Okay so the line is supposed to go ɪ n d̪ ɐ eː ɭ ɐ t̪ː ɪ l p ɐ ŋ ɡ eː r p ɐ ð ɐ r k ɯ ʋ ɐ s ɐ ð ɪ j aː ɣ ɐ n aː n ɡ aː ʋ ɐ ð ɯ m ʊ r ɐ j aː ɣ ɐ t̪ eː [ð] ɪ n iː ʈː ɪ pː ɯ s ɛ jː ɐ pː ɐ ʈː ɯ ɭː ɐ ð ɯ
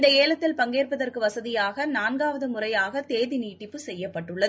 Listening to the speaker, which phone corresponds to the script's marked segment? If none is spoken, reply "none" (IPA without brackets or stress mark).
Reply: ð